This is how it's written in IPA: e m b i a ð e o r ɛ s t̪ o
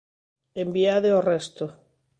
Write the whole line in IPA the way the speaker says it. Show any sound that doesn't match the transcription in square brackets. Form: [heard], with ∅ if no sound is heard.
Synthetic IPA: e m b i a ð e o r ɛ s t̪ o